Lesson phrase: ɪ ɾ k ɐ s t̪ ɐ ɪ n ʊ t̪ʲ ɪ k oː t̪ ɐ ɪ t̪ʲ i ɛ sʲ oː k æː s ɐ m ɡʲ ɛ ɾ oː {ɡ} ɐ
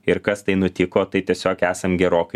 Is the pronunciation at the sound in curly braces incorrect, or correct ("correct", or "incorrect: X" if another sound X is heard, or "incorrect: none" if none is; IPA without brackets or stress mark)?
incorrect: k